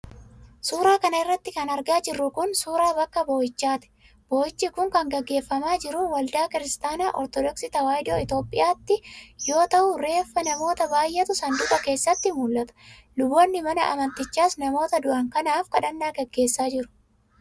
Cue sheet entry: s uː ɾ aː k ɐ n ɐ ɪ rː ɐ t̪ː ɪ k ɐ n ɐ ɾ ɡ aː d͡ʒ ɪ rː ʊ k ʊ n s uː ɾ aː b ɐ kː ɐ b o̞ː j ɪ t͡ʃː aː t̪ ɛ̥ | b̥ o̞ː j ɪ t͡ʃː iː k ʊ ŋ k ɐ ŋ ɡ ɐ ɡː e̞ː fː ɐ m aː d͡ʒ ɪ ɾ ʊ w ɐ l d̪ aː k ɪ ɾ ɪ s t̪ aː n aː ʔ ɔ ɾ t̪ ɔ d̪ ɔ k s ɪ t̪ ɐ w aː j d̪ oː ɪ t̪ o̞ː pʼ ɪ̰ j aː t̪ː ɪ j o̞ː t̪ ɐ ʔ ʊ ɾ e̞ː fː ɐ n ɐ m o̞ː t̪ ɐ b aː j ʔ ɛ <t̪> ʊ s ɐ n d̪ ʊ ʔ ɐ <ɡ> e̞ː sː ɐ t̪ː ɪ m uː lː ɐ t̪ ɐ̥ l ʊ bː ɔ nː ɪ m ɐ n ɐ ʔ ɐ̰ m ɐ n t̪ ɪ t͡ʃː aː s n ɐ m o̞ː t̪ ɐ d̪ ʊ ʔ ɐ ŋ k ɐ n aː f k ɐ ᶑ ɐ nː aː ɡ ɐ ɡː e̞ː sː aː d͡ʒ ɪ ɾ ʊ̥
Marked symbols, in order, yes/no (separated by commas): yes, no